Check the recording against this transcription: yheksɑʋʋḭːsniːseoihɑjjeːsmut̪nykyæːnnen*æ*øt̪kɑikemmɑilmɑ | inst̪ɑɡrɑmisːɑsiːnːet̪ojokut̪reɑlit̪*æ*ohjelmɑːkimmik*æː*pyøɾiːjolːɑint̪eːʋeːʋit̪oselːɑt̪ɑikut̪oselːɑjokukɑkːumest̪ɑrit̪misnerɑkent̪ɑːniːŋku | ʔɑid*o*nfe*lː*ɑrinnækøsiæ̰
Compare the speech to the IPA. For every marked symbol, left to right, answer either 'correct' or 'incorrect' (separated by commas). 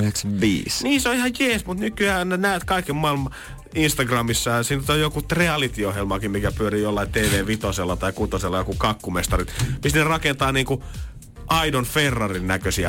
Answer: correct, incorrect, incorrect, correct, incorrect